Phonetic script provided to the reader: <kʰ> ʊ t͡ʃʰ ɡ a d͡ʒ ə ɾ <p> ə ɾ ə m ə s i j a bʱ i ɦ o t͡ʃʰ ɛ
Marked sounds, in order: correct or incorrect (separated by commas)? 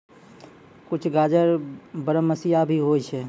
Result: incorrect, incorrect